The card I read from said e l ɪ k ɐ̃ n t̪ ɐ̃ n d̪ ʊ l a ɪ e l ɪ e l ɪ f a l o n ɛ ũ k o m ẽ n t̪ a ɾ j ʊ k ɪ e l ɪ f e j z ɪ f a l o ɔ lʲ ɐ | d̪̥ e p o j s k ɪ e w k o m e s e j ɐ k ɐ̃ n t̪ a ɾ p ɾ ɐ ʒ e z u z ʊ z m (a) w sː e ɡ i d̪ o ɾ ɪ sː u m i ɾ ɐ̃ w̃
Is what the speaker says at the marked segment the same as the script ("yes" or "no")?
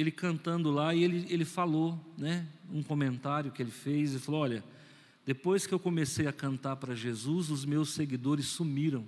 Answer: no